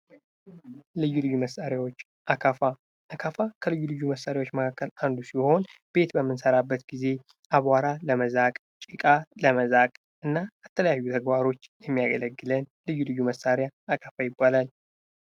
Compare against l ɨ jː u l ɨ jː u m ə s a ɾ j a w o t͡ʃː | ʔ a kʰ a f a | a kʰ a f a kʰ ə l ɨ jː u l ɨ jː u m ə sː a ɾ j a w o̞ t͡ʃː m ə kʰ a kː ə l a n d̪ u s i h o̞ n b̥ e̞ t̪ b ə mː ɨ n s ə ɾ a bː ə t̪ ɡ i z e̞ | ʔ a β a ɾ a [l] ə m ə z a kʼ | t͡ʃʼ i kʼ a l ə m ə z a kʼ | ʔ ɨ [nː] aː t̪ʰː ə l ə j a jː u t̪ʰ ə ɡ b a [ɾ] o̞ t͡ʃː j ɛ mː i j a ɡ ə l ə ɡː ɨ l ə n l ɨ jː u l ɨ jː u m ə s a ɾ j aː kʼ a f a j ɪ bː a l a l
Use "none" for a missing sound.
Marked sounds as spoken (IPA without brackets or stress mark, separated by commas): l, nː, ɾ